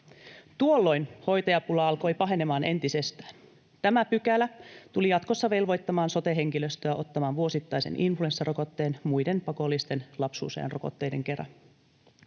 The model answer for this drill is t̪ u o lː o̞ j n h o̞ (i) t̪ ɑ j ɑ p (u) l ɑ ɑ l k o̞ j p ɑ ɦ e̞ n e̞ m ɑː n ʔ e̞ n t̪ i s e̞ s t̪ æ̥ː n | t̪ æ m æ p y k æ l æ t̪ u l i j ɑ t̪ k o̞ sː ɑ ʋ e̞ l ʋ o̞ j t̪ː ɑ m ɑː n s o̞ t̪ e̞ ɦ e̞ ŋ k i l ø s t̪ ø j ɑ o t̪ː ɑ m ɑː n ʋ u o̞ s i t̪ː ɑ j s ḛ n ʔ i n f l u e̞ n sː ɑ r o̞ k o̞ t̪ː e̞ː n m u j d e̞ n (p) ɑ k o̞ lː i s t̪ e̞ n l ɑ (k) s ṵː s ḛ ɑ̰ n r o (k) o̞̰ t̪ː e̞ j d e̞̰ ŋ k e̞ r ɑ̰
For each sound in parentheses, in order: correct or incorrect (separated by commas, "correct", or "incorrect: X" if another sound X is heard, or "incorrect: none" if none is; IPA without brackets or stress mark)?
incorrect: j, correct, correct, incorrect: p, correct